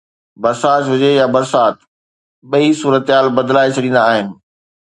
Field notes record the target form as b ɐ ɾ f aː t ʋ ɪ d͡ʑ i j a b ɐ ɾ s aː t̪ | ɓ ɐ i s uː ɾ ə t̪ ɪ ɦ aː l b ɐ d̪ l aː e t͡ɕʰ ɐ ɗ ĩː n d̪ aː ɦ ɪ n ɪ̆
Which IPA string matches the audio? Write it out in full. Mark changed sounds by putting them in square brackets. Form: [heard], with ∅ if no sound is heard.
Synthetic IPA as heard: b ɐ ɾ [s] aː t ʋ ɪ d͡ʑ [e] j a b ɐ ɾ s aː t̪ | ɓ ɐ i s uː ɾ ə t̪ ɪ ɦ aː l b ɐ d̪ l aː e t͡ɕʰ ɐ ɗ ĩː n d̪ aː ɦ ɪ n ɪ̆